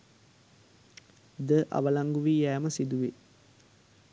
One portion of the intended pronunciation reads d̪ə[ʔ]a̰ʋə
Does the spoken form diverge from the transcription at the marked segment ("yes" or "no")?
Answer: no